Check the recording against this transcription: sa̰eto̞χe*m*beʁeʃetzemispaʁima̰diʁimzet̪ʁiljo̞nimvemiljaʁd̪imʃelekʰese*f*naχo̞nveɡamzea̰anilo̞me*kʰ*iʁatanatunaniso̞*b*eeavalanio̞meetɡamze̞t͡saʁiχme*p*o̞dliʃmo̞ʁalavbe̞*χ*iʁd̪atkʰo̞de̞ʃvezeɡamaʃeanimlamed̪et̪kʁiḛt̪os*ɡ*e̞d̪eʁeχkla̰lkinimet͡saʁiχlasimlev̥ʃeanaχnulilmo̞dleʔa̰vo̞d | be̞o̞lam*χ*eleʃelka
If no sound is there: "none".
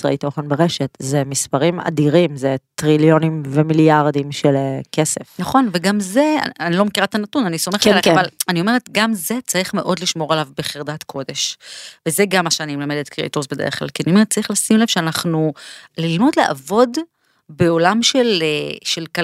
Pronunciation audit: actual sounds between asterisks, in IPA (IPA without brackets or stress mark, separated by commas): n, f, k, m, ʔ, χ, b, ʃ